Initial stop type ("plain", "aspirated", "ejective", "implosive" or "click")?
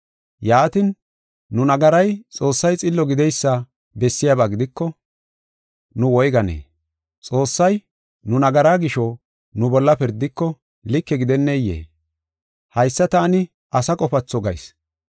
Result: plain